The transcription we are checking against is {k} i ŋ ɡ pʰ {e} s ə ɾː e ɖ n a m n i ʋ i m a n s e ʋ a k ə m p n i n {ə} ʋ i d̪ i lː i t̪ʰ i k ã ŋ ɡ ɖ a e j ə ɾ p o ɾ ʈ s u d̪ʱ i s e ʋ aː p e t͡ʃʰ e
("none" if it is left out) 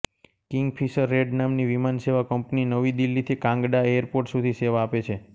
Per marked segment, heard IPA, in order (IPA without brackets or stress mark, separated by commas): k, i, ə